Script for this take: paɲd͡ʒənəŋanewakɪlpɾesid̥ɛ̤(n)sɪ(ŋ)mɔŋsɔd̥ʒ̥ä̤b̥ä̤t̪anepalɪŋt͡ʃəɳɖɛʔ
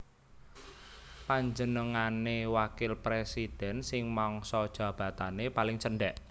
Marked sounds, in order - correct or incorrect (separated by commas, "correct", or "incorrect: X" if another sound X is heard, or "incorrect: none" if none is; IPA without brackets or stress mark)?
correct, correct